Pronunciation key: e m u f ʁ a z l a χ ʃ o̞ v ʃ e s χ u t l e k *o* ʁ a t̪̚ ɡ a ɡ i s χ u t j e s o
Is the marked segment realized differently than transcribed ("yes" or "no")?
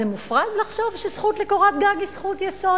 no